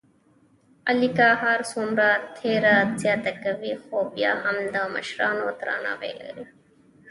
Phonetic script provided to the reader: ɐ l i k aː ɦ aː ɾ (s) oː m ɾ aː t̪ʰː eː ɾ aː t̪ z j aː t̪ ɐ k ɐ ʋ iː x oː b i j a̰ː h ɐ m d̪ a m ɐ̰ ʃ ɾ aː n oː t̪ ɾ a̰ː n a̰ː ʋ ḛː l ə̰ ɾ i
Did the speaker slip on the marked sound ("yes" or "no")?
no